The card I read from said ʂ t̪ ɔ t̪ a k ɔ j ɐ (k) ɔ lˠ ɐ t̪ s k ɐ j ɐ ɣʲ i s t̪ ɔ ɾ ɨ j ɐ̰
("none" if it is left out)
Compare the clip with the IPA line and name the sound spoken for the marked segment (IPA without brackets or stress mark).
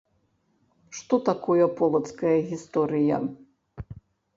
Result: p